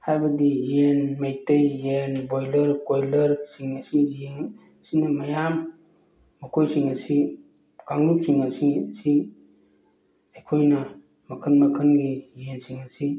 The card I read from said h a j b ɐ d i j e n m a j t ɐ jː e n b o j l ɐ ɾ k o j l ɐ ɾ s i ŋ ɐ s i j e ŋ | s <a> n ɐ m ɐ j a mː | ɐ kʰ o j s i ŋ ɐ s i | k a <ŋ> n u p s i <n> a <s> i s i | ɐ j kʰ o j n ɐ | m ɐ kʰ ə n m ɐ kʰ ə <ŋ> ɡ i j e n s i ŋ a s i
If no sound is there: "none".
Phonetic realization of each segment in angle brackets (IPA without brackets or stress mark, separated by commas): i, ŋ, ŋ, s, n